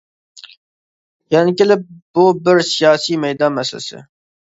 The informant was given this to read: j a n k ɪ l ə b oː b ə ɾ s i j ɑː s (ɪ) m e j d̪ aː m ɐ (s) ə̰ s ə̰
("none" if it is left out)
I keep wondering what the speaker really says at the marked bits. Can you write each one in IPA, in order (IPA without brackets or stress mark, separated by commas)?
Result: i, s